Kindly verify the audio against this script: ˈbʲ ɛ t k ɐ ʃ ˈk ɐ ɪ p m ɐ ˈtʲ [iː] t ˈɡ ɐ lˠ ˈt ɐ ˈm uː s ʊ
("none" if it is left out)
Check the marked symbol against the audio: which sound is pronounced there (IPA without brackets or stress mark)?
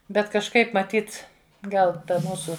iː